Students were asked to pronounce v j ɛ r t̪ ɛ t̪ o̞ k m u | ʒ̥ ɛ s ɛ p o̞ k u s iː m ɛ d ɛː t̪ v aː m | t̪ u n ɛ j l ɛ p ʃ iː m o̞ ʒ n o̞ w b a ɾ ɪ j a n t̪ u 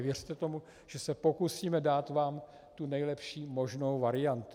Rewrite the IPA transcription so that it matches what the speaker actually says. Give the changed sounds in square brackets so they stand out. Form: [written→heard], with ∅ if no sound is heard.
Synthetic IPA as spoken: v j ɛ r t̪ ɛ t̪ o̞ [k→∅] m u | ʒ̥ ɛ s ɛ p o̞ k u s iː m ɛ d [ɛː→aː] t̪ v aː m | t̪ u n ɛ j l ɛ p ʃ iː m o̞ ʒ n o̞ w [b→v] a ɾ ɪ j a n t̪ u